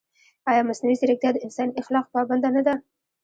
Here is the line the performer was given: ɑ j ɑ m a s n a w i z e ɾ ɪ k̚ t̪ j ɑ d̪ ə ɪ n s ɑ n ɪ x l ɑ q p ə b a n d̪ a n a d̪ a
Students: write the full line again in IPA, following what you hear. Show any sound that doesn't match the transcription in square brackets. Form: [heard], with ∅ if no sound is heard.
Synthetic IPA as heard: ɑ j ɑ m a s n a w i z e ɾ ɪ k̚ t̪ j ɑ d̪ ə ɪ n s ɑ n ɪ x l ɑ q p [ɑ] b a n d̪ a n a d̪ a